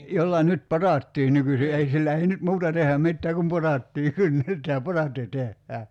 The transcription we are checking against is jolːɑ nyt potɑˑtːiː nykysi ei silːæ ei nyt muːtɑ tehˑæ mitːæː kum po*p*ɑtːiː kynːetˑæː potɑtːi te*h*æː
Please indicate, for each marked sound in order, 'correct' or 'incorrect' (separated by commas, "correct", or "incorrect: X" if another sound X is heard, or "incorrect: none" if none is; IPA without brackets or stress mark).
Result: incorrect: t, incorrect: hː